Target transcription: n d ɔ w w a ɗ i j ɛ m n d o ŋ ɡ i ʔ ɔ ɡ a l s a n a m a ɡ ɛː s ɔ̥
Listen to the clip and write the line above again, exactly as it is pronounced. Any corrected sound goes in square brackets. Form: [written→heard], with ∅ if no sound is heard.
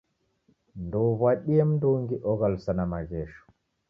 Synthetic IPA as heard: n d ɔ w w a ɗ i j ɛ m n d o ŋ ɡ i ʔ ɔ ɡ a l s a n a m a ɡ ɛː [s→ʃ] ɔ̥